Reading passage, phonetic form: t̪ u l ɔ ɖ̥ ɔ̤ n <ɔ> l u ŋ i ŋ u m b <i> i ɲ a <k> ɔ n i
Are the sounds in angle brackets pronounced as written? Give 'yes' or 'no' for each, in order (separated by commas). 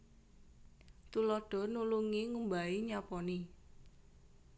no, no, no